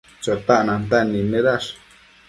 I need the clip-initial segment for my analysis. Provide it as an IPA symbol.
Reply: t͡ʃ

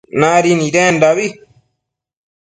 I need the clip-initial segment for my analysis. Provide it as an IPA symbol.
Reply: n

